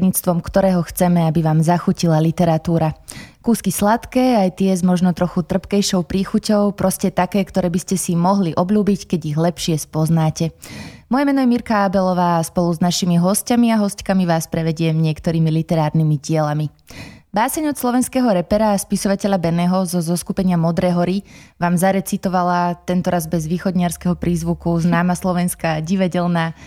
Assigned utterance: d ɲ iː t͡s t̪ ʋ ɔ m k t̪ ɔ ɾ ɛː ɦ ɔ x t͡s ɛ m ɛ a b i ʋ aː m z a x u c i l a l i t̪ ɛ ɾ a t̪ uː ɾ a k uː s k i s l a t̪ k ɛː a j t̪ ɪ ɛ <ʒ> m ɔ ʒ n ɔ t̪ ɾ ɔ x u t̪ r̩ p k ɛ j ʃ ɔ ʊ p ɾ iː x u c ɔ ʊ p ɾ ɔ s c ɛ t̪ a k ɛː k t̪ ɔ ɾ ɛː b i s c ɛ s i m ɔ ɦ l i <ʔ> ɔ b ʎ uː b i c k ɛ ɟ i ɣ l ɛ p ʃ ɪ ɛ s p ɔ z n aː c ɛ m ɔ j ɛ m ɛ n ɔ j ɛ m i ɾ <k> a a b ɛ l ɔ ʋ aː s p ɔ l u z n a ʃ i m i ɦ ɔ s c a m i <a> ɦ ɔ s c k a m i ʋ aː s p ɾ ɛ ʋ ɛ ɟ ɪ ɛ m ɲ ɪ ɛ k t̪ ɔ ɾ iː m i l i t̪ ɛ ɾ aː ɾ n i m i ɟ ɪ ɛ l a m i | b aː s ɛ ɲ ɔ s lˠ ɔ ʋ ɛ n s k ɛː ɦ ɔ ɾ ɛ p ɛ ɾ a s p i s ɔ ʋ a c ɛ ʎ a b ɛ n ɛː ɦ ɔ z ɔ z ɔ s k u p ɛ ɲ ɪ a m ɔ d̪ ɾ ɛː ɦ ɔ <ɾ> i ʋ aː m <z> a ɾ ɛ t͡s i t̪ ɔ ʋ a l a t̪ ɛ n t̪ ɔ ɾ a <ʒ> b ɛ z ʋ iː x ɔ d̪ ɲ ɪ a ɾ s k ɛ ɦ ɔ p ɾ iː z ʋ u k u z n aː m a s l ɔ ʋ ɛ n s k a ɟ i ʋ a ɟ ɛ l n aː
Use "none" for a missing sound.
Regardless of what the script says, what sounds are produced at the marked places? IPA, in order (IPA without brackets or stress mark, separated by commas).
z, ʔ, k, a, ɾ, z, z